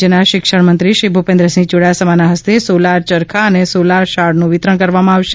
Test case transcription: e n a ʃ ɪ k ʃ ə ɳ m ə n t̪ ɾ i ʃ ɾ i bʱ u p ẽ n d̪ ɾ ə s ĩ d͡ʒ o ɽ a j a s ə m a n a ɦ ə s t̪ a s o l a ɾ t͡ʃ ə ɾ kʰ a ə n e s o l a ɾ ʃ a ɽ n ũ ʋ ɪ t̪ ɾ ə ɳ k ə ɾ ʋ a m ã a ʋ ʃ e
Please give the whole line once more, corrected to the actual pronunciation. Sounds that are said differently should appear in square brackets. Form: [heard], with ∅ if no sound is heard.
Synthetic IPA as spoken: e n a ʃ ɪ k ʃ ə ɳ m ə n t̪ ɾ i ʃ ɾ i bʱ u p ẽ n d̪ ɾ ə s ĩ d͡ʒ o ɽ a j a s ə m a n a ɦ ə s t̪ [e] s o l a ɾ t͡ʃ ə ɾ kʰ a ə n e s o l a ɾ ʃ a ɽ n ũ ʋ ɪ t̪ ɾ ə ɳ k ə ɾ ʋ a m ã a ʋ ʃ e